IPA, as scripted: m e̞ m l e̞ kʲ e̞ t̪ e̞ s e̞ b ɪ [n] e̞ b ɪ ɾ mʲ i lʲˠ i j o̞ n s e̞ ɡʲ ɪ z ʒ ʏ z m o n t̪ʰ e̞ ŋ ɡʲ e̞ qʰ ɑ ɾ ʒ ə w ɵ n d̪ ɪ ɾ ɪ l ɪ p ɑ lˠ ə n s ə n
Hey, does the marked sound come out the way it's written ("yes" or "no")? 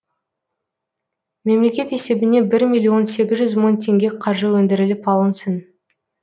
yes